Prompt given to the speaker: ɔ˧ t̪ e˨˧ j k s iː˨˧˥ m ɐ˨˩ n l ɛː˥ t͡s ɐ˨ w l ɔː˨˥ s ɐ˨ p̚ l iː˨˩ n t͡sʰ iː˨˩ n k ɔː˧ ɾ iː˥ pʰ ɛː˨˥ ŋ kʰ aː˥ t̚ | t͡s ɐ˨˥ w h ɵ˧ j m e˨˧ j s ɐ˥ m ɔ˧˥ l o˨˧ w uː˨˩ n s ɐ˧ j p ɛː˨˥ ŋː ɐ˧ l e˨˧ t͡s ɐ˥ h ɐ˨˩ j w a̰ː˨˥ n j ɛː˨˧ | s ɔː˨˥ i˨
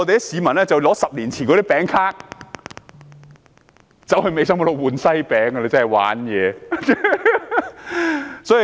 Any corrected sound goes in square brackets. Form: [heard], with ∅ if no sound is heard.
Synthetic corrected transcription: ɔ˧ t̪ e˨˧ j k s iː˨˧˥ m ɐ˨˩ n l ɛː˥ t͡s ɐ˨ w l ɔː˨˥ s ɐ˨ p̚ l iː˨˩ n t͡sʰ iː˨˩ n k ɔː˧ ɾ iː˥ [p] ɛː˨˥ ŋ kʰ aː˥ [k̚] | t͡s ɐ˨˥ w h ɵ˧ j m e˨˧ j s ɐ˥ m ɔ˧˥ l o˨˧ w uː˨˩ n s [ɐ˥] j p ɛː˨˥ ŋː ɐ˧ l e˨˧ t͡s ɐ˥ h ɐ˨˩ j w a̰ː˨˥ n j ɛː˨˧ | s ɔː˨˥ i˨